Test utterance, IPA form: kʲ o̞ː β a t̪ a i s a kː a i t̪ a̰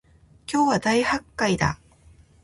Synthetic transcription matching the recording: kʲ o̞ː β a d̪ a i h a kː a i d̪ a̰